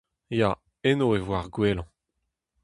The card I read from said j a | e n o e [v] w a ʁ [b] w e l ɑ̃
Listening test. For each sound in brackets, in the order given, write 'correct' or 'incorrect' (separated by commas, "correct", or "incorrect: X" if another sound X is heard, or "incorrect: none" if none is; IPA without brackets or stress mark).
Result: correct, incorrect: ɡ